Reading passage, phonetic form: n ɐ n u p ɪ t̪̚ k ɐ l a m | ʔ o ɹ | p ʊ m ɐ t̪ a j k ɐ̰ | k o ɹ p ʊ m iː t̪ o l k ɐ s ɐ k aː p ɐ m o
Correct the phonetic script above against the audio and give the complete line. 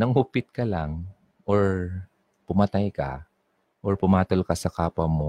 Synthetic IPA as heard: n ɐ ŋ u p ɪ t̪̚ k ɐ l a ŋ | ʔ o ɹ | p ʊ m ɐ t̪ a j k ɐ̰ | ʔ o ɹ p ʊ m aː t̪ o l k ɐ s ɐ k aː p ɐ m o